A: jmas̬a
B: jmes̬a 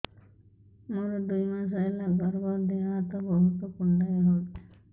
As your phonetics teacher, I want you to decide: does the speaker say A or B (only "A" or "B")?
A